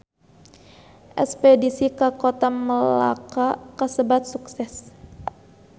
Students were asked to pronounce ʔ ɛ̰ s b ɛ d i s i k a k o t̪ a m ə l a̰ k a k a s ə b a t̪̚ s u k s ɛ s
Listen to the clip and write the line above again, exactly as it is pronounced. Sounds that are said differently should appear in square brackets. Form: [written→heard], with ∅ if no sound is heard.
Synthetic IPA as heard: ʔ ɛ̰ s [b→p] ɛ d i s i k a k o t̪ a m ə l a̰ k a k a s ə b a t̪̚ s u k s ɛ s